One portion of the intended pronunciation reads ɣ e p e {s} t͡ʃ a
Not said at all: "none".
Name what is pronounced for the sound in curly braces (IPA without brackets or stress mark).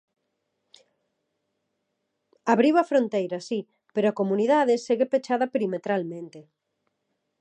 none